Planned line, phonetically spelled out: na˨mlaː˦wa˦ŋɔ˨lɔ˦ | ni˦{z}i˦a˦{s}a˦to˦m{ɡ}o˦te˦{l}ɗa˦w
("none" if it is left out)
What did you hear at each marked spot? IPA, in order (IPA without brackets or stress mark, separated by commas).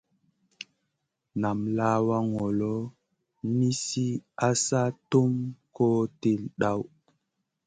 s, s, k, l